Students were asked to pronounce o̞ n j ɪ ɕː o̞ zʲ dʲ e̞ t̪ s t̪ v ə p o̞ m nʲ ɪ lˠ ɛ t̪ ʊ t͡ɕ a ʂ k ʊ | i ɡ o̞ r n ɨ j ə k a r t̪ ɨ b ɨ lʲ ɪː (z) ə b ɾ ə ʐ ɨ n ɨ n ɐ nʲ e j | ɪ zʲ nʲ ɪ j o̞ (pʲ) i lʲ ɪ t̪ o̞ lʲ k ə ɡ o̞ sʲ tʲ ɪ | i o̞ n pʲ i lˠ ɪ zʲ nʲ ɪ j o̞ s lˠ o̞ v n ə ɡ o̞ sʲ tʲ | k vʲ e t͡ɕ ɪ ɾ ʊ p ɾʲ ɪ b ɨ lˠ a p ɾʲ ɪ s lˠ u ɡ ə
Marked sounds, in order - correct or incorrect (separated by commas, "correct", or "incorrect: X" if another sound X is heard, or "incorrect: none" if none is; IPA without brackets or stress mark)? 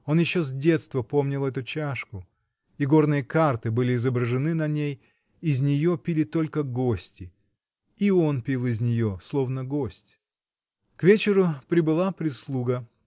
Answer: correct, correct